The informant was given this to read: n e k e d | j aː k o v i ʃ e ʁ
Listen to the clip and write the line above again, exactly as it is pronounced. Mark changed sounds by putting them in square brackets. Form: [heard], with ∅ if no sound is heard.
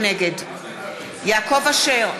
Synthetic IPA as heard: n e [ɡ] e d | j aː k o v [a] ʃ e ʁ